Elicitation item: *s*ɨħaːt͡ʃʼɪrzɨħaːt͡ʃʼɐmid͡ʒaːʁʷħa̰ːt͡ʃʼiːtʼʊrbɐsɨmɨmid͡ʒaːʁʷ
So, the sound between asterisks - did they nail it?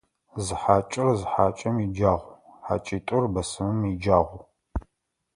no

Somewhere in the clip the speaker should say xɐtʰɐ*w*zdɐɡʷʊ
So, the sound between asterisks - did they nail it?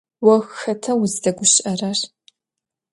yes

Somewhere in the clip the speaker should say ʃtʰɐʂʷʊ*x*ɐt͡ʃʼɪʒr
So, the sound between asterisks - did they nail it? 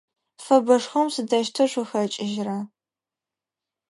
yes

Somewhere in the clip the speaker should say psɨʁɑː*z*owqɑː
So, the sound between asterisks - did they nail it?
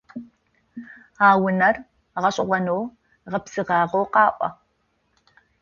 no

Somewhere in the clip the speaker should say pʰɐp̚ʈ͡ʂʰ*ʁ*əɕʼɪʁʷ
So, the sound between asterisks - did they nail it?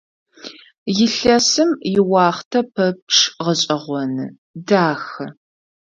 yes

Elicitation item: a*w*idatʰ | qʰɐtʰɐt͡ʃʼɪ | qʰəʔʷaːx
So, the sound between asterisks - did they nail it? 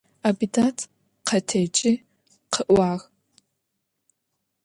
no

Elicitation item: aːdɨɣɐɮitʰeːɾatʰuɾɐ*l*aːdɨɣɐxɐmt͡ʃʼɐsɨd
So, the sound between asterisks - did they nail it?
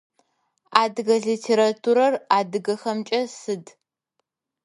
no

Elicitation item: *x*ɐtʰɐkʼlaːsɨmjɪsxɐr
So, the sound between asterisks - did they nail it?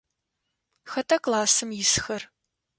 yes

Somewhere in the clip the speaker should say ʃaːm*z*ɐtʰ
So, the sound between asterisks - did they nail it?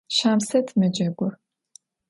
no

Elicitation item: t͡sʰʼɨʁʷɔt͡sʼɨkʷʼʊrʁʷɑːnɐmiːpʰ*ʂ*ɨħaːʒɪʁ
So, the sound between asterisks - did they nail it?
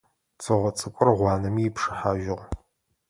yes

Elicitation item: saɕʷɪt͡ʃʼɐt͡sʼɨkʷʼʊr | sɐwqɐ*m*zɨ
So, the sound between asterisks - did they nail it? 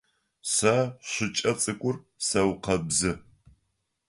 no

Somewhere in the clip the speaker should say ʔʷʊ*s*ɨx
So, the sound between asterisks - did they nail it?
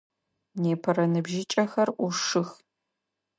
no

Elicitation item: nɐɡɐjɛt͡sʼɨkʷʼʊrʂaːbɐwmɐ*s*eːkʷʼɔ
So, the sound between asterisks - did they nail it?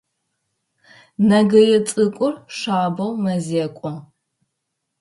no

